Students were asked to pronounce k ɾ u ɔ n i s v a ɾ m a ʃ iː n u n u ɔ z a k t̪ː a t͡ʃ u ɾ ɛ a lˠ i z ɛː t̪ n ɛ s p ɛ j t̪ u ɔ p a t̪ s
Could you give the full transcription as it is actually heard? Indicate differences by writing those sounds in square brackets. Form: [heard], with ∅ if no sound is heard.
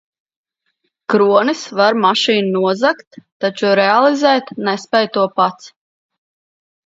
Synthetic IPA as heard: k ɾ u ɔ n i s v a ɾ m a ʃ iː n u n u ɔ z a k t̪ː a t͡ʃ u ɾ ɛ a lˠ i z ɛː t̪ n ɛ s p ɛ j t̪ u ɔ p a t̪ s